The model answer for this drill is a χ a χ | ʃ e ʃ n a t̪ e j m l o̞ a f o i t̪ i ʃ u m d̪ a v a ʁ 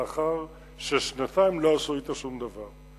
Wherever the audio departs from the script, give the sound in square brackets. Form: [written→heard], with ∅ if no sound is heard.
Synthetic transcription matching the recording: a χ a [χ→ʁ] | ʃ e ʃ n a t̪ [e→a] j m l o̞ a [f→s] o i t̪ [i→a] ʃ u m d̪ a v a ʁ